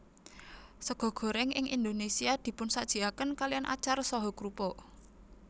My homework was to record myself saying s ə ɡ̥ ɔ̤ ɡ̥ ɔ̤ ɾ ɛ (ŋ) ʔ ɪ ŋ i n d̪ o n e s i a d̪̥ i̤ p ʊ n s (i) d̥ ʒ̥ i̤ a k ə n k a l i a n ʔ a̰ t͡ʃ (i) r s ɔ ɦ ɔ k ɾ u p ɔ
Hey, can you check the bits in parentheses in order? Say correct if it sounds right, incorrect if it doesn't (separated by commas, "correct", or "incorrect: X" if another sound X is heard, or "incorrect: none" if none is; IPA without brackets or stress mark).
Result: correct, incorrect: a, incorrect: a